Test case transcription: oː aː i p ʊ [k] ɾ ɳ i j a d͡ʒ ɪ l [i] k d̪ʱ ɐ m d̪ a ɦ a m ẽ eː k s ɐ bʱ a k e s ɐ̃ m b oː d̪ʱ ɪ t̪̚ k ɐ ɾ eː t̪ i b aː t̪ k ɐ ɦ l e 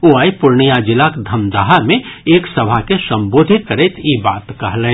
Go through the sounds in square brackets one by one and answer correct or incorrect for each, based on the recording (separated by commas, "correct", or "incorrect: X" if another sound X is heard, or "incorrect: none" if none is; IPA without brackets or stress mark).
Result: incorrect: none, incorrect: a